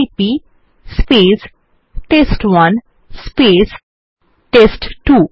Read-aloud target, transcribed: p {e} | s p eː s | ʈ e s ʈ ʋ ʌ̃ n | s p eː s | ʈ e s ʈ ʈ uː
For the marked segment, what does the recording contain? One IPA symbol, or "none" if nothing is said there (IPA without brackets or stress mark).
i